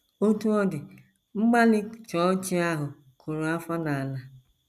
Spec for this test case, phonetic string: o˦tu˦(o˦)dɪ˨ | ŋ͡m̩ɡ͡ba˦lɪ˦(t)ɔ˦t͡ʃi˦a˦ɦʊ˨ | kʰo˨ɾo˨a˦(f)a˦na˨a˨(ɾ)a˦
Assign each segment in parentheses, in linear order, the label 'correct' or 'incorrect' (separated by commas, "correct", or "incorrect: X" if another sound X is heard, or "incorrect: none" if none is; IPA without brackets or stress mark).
incorrect: ɔ˦, incorrect: t͡ʃ, correct, incorrect: l